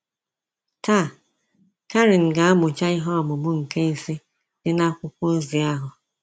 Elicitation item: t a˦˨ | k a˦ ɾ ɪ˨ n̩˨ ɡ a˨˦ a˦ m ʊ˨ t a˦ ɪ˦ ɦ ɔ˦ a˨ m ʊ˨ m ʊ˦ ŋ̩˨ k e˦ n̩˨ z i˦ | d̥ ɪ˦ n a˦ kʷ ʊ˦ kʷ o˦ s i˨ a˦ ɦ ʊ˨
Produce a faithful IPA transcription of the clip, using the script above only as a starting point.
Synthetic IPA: t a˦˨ | k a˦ ɾ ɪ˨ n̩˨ ɡ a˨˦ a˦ m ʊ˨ t͡ʃ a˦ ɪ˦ ɦ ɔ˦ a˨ m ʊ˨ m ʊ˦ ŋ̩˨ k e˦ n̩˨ s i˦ | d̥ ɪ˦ n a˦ kʷ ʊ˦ kʷ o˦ z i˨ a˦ ɦ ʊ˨